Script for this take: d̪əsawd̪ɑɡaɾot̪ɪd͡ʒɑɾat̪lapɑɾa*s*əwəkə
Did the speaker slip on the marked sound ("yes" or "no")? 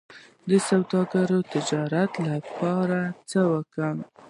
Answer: yes